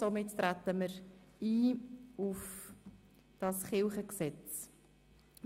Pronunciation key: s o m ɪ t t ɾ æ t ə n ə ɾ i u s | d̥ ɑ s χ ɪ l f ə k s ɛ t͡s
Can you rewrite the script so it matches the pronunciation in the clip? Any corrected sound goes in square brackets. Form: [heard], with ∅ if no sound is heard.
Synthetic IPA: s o m ɪ t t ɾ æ t ə [m] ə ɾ [iː] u [f] | d̥ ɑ s χ ɪ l [χ] ə k s ɛ t͡s